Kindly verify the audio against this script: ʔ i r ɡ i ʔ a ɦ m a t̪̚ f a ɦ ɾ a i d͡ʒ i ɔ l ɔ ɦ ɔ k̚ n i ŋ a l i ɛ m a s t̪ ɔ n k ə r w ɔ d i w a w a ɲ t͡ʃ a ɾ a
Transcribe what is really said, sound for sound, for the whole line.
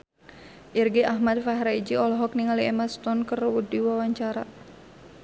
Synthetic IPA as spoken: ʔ i r ɡ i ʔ a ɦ m a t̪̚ f a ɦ ɾ a i d͡ʒ i ɔ l ɔ ɦ ɔ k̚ n i ŋ a l i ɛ m a s t̪ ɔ n k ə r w u d i w a w a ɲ t͡ʃ a ɾ a